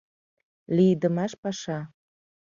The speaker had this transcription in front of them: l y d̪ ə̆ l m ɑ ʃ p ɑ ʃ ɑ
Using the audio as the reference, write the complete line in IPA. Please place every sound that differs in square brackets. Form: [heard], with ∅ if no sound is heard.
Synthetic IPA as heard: l [i] d̪ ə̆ [∅] m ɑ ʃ p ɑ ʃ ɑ